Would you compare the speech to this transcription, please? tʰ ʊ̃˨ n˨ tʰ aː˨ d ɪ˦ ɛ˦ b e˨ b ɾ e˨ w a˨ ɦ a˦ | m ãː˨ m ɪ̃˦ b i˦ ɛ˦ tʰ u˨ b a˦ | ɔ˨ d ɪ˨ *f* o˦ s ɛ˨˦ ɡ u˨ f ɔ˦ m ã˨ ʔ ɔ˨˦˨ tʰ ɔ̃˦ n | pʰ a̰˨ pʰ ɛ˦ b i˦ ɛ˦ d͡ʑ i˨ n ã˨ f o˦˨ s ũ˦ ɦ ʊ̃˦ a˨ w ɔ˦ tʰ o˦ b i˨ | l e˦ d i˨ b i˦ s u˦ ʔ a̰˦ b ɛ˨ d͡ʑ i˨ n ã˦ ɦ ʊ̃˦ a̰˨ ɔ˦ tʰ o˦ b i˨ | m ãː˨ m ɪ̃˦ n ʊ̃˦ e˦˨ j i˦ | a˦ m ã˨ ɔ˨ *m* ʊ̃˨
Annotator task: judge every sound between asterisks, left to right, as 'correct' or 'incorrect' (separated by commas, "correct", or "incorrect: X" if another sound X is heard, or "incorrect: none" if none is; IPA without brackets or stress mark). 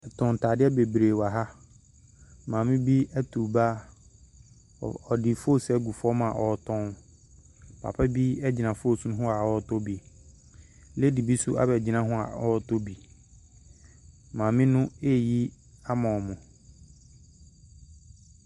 correct, correct